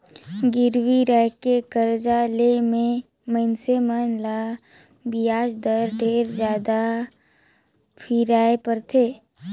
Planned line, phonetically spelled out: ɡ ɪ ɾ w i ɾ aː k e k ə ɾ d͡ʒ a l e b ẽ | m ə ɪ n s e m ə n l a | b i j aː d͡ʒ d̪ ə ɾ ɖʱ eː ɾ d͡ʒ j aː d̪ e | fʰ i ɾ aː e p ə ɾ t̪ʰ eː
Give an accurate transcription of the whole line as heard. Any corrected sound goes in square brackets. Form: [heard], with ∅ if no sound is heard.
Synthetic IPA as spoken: ɡ ɪ ɾ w i ɾ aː k e k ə ɾ d͡ʒ a l e [m] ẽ | m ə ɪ n s e m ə n l a | b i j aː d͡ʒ d̪ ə ɾ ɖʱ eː ɾ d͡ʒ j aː d̪ [a] | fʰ i ɾ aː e p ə ɾ t̪ʰ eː